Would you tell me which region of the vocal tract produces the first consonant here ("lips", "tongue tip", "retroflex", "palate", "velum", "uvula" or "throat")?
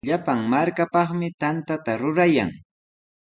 palate